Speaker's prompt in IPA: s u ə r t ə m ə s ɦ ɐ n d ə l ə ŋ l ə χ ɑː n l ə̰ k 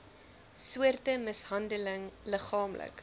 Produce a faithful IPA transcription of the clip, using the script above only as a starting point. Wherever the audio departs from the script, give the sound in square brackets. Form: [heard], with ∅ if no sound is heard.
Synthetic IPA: s u ə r t ə m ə s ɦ ɐ n d ə l ə ŋ l ə χ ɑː [m] l ə̰ k